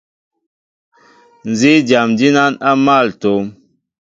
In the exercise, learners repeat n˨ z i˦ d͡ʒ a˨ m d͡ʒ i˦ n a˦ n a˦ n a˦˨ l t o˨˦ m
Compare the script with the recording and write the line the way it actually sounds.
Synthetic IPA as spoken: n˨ z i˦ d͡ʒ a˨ m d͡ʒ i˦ n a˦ n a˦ m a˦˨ l t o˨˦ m

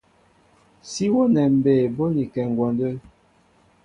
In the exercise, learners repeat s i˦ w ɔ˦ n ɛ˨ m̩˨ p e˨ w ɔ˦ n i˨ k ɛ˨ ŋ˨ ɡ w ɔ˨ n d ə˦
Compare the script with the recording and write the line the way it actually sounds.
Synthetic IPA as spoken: s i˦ w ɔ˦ n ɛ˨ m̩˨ b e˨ b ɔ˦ n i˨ k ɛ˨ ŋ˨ ɡ w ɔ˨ n d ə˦

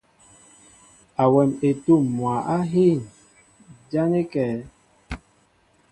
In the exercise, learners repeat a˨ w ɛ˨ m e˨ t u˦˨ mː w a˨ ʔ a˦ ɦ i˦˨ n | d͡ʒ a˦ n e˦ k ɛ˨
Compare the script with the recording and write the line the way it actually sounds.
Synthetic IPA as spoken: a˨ w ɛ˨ m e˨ t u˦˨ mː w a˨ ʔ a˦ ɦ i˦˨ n | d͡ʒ a˦ n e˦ k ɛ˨

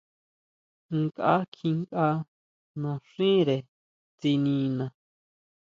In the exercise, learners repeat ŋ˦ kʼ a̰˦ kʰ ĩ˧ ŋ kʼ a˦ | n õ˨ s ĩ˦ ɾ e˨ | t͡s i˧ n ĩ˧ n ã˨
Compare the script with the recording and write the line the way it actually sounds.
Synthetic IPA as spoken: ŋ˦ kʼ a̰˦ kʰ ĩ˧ ŋ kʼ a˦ | n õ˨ ʂ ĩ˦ ɾ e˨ | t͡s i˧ n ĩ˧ n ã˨

